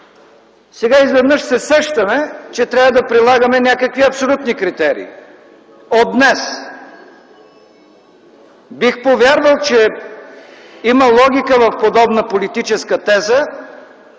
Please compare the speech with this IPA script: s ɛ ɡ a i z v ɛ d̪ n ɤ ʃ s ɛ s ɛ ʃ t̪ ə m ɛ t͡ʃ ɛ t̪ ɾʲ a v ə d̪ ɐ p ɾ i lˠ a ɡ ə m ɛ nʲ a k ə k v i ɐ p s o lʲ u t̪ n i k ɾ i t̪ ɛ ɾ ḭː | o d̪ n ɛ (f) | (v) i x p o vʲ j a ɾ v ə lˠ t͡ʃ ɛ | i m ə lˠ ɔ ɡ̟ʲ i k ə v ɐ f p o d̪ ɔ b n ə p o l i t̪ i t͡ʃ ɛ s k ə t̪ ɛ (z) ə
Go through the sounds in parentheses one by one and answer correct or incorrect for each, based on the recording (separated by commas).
incorrect, incorrect, correct